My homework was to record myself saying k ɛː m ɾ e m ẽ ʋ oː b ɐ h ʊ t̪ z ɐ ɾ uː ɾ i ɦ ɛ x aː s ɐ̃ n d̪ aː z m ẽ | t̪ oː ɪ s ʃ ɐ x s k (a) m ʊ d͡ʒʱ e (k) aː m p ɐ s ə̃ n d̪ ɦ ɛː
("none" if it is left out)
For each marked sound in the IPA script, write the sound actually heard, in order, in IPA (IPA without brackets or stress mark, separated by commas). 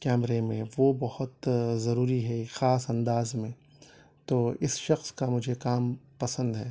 a, k